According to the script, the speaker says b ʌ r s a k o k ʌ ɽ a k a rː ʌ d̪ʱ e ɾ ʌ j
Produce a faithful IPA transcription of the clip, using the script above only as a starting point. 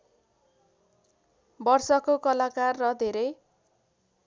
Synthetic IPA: b ʌ r s ʌ k o k ʌ l a k a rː ʌ d̪ʱ e ɾ ʌ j